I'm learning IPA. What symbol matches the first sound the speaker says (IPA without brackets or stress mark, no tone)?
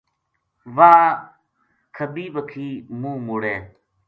ʋ